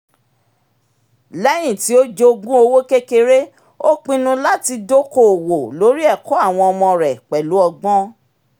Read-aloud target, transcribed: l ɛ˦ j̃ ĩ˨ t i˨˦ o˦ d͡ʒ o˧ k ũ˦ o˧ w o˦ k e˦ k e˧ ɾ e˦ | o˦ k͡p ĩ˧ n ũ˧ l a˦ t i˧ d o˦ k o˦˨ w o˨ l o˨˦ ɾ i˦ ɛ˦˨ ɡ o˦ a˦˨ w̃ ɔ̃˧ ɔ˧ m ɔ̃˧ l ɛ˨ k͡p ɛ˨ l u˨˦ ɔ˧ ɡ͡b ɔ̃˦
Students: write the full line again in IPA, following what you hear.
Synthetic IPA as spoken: l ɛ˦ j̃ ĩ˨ t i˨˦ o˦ d͡ʒ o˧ ɡ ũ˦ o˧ w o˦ k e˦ k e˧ ɾ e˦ | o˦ k͡p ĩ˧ n ũ˧ l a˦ t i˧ d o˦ k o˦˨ w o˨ l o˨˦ ɾ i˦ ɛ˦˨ k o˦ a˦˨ w̃ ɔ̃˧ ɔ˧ m ɔ̃˧ ɾ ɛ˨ k͡p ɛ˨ l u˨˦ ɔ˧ ɡ͡b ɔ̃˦